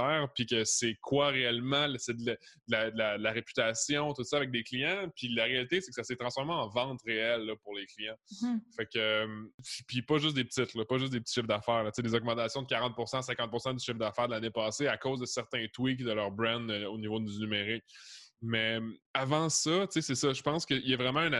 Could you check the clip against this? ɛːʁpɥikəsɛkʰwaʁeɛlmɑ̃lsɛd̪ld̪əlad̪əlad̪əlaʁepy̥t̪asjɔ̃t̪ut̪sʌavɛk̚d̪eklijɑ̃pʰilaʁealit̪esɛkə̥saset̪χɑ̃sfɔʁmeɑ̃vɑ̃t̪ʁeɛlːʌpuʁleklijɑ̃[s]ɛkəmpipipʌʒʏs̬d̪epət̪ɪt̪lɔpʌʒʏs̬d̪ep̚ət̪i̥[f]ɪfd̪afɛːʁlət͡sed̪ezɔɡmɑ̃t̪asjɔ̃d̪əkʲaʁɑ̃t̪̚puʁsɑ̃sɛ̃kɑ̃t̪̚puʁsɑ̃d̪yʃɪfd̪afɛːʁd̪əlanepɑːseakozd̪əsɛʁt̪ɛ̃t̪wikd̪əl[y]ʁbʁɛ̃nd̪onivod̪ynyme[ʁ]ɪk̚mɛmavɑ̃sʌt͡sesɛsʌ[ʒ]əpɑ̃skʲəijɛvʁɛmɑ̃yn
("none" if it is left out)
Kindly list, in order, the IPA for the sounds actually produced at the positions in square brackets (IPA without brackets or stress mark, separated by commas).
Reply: f, ʃ, œ, ʁ, ʒ